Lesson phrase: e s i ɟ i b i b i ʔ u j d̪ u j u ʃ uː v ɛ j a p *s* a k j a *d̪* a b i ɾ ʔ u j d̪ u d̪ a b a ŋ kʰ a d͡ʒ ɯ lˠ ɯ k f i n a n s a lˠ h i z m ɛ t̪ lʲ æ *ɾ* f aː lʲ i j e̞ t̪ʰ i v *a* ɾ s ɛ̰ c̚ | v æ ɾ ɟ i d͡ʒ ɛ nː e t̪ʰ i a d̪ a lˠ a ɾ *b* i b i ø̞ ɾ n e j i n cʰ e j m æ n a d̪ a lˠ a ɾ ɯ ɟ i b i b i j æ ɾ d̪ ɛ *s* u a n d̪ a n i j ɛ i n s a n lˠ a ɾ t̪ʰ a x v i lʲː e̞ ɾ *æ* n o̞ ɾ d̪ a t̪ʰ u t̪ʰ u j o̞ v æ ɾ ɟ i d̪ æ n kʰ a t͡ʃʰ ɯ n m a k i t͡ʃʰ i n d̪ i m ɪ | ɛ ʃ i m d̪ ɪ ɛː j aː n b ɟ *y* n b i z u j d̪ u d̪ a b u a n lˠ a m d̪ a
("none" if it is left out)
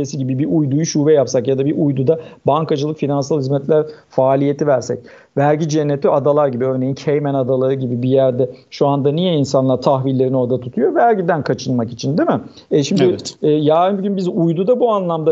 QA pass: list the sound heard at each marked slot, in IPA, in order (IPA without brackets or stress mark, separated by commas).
s, d̪, ɾ, æ, ɟ, ʃ, i, y